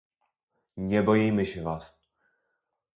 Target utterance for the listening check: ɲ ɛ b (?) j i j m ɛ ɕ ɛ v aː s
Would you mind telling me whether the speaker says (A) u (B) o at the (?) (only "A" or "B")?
B